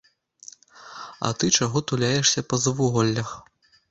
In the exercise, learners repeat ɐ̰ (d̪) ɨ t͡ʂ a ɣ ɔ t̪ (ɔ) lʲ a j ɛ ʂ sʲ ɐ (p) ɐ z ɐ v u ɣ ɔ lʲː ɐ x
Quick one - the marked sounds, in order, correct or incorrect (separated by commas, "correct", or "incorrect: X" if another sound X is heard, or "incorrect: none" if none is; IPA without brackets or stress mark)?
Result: incorrect: t̪, incorrect: u, correct